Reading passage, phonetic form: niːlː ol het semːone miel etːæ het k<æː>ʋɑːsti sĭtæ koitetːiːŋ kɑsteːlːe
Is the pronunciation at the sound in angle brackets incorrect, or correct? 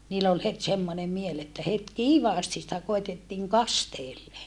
incorrect